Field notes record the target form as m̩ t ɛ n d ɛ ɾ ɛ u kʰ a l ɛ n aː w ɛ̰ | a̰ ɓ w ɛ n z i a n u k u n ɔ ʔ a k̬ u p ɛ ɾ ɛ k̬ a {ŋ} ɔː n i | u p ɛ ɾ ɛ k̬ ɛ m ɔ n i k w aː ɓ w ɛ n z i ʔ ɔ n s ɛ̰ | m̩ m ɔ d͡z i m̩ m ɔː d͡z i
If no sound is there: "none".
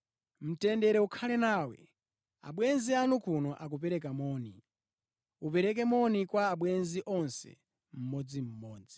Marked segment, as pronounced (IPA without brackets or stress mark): m